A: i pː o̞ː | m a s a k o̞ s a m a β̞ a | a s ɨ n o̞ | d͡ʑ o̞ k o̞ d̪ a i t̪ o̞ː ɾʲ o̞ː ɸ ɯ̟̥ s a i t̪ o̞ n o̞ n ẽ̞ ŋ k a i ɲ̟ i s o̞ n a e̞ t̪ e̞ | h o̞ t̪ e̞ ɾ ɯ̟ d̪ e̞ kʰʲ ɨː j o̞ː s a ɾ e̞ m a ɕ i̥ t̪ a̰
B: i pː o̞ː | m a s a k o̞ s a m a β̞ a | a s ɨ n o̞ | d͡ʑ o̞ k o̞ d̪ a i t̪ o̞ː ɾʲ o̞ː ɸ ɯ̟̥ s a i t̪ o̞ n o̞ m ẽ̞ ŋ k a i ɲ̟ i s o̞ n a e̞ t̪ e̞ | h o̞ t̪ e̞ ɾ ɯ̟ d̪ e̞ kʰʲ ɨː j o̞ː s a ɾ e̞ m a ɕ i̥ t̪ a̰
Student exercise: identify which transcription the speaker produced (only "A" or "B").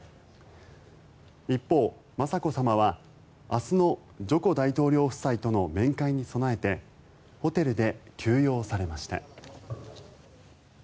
B